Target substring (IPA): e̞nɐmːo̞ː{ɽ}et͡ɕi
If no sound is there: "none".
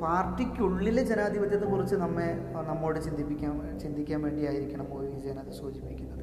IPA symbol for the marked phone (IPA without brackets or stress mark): ɽ